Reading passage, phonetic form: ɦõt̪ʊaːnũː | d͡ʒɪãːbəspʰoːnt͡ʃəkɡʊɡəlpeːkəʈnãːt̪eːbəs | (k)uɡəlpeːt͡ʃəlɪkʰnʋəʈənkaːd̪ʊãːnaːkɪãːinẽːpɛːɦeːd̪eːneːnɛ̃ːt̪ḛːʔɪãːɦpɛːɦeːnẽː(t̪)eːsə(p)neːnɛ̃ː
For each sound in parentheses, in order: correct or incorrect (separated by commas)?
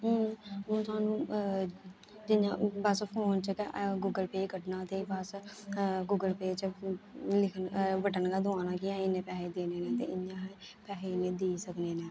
incorrect, incorrect, incorrect